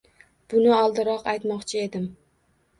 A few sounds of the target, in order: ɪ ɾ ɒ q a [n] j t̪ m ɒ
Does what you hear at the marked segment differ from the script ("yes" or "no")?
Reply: yes